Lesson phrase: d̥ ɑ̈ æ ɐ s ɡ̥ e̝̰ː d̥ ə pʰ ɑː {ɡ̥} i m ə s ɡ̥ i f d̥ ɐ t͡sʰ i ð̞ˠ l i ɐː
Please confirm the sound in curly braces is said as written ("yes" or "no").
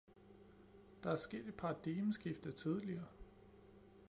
no